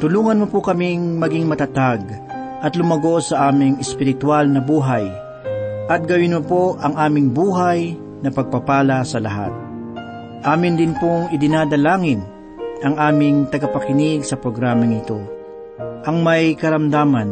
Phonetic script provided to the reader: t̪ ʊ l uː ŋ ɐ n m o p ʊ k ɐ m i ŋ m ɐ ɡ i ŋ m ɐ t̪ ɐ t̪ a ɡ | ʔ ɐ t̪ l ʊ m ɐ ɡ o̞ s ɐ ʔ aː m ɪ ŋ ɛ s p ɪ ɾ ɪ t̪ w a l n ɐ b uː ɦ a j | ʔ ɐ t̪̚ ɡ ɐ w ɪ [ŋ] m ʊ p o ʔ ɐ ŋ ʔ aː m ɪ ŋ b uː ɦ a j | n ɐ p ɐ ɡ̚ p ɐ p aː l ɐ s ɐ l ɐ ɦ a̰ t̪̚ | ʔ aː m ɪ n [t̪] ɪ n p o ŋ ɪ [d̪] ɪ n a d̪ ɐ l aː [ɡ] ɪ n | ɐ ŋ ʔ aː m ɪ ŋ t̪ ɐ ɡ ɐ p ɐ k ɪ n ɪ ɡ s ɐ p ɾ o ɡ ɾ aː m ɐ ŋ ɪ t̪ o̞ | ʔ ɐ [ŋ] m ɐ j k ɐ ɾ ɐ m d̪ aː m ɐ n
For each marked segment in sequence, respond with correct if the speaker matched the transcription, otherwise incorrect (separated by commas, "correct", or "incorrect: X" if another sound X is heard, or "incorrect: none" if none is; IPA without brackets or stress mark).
incorrect: n, incorrect: d̪, correct, incorrect: ŋ, correct